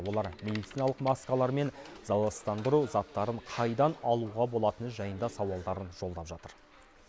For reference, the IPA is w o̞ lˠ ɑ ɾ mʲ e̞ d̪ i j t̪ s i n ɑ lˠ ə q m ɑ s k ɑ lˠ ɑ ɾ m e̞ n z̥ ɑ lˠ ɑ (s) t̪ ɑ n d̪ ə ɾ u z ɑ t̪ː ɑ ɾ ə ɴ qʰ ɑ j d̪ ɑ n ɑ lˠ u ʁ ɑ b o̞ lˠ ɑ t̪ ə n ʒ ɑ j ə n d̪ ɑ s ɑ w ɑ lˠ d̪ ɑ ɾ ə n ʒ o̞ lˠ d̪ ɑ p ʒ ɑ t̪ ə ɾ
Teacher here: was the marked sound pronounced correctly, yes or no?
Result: yes